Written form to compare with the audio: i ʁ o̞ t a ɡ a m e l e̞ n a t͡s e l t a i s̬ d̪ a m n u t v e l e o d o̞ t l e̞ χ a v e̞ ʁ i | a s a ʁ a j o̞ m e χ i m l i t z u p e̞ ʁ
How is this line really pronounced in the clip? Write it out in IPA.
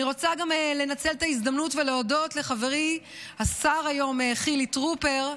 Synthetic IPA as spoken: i ʁ o̞ t͡s a ɡ a m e l e̞ n a t͡s e l t a i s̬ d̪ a m n u t v e l e o d o̞ t l e̞ χ a v e̞ ʁ i | a s a ʁ a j o̞ m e χ i l i t ʁ u p e̞ ʁ